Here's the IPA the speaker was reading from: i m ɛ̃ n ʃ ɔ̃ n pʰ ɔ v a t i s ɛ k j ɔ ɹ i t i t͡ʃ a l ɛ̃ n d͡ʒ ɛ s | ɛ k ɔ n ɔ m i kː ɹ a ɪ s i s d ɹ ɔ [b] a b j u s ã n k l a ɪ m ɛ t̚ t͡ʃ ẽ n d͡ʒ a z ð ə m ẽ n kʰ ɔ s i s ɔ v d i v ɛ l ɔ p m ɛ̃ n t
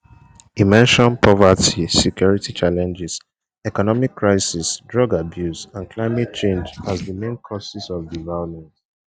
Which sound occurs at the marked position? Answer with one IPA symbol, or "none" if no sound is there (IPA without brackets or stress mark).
ɡ